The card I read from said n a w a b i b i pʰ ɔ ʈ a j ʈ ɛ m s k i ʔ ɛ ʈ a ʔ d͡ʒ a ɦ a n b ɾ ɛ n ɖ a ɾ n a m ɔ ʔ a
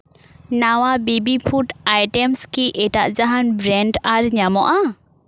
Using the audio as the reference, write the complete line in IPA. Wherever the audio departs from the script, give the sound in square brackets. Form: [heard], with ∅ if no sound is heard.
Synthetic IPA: n a w a b i b i pʰ [u] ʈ a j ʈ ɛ m s k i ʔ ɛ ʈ a ʔ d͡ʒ a ɦ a n b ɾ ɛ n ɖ a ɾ [ɲ] a m ɔ ʔ a